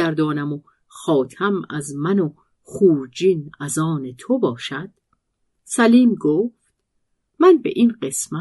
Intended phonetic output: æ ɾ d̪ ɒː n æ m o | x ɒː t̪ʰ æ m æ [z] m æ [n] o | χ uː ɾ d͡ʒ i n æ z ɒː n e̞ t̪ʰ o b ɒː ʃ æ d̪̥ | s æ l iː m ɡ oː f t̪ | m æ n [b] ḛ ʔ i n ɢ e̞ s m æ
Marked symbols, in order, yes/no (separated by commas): yes, yes, yes